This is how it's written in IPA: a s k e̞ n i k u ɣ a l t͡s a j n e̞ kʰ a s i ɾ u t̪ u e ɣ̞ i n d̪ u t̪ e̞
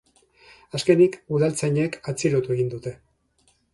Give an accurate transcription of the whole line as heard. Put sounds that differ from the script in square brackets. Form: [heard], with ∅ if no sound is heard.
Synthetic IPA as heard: a s k e̞ n i k u [ð] a l t͡s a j [ɲ] e̞ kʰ a [t͡s] i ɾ [o] t̪ u e ɣ̞ i n d̪ u t̪ e̞